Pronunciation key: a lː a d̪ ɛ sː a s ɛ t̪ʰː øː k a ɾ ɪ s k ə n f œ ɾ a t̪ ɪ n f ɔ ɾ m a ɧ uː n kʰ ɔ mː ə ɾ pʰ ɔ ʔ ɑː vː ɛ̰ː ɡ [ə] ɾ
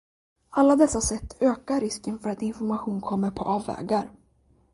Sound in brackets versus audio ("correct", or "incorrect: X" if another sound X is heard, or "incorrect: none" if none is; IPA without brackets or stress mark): incorrect: a